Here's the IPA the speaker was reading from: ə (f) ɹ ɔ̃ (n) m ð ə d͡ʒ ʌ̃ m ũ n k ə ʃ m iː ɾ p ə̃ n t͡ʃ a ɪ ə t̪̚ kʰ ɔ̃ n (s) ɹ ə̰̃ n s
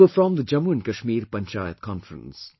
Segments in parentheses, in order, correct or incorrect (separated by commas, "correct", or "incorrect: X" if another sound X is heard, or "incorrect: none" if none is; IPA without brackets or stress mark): correct, incorrect: none, incorrect: f